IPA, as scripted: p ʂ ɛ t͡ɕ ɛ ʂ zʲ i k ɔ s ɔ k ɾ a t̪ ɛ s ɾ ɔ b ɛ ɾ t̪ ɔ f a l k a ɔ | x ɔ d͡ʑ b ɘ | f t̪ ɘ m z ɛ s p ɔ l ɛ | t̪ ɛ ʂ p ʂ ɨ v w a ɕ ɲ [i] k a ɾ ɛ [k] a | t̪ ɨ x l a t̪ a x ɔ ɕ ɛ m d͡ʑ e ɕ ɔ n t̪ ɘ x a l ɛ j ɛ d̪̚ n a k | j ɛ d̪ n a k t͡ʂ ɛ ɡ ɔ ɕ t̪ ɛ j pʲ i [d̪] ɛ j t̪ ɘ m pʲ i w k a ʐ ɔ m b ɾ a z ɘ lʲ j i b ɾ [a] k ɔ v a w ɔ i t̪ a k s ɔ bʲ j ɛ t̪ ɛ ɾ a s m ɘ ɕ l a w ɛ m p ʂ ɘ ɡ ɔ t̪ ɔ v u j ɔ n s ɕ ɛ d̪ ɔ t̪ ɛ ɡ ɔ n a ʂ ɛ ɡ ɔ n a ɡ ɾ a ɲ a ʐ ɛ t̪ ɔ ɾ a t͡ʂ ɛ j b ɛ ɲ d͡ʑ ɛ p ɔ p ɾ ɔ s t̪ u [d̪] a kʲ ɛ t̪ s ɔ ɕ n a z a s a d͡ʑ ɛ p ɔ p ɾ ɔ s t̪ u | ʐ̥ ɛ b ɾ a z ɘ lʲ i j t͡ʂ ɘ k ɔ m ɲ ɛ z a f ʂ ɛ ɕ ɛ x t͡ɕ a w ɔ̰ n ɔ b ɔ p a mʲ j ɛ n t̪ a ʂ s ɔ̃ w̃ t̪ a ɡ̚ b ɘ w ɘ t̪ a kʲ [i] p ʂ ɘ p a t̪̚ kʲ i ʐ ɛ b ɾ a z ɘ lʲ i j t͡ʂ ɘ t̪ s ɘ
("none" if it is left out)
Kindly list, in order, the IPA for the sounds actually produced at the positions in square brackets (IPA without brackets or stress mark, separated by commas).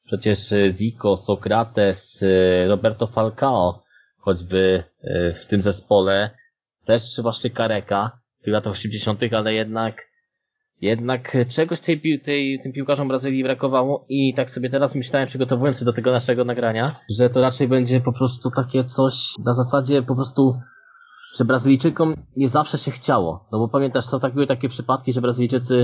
ɛ, k, t̪, a, t̪, ɛ